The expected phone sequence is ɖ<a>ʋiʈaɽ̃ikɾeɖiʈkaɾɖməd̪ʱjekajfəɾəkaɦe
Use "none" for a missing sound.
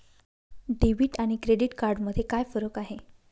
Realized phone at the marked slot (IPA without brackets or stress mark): e